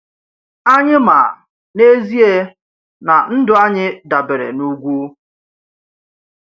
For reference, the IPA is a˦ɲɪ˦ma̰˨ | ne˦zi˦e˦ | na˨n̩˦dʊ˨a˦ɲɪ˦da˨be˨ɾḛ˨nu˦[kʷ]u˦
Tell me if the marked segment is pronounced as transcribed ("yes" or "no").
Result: no